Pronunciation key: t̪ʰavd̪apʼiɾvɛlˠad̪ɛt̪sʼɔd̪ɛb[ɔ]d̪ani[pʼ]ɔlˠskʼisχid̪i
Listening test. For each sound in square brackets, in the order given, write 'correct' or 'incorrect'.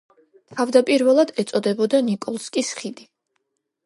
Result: correct, incorrect: kʼ

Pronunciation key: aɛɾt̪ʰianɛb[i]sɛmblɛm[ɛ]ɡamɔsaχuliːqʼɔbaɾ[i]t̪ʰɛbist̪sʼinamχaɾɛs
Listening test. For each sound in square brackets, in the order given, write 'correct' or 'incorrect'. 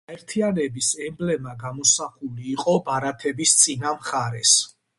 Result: correct, incorrect: a, incorrect: a

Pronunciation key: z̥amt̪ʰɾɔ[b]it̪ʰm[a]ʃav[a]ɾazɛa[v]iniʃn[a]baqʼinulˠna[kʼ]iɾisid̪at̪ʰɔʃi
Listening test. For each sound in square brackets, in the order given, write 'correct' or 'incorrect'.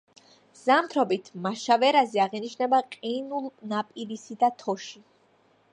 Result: correct, correct, incorrect: ɛ, incorrect: ʁ, incorrect: ɛ, incorrect: pʼ

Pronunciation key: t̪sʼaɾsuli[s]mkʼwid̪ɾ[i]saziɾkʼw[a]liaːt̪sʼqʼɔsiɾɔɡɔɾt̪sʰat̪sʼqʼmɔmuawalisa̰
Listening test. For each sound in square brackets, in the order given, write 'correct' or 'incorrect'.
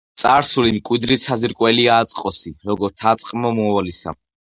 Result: incorrect: none, correct, incorrect: ɛ

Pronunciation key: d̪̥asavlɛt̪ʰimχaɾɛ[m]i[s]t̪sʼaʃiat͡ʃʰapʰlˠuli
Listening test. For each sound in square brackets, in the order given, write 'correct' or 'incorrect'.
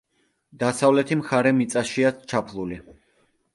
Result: correct, incorrect: none

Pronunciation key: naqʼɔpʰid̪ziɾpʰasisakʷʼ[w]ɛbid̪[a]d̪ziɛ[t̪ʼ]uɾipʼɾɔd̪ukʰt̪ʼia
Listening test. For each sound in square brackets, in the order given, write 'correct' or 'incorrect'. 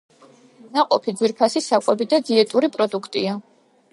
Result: correct, correct, correct

